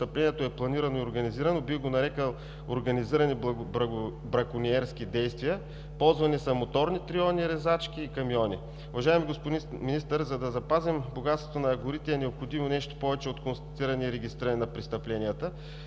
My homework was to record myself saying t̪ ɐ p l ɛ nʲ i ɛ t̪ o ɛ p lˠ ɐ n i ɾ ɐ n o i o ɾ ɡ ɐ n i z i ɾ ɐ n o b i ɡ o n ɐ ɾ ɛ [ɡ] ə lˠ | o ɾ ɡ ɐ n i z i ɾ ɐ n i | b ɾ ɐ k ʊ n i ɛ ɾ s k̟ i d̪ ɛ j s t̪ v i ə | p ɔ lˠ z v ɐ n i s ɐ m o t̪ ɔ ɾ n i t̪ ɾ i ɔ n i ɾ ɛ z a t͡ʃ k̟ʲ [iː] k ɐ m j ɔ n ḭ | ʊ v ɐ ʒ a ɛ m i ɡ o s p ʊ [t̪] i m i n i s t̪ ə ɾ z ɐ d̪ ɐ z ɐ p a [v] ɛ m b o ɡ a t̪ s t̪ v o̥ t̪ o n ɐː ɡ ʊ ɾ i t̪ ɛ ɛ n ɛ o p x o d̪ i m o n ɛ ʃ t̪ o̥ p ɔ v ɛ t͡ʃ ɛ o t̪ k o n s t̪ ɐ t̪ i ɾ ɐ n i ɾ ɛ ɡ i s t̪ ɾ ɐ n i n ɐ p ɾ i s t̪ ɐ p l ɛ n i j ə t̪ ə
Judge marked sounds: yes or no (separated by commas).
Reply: no, yes, no, no